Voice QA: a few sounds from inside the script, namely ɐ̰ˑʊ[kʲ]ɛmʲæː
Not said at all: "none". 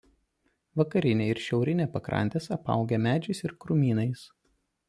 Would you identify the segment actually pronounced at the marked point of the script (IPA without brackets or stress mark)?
ɡʲ